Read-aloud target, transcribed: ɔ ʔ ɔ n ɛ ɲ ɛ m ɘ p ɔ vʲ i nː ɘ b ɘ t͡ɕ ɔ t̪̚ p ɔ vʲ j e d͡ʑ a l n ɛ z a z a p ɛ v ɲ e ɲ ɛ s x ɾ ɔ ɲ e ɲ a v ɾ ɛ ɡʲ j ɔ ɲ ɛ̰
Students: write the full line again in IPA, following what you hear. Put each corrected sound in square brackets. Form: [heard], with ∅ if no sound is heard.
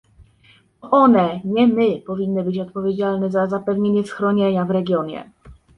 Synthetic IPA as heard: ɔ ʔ ɔ n ɛ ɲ ɛ m ɘ p ɔ vʲ i nː ɘ b ɘ t͡ɕ ɔ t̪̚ p ɔ vʲ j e d͡ʑ a l n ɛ z a z a p ɛ v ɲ e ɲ ɛ s x ɾ ɔ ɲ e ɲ a v ɾ ɛ ɡʲ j ɔ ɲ ɛ̰